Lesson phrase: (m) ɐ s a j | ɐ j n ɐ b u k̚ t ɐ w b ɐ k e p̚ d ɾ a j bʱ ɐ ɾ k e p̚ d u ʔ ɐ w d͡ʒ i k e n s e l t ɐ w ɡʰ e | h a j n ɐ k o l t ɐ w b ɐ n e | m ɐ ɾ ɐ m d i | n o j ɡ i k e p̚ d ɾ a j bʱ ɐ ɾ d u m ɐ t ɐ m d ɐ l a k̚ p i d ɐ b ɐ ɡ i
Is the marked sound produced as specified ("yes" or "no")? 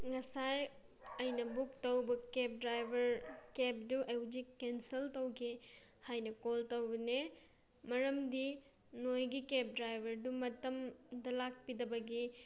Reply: no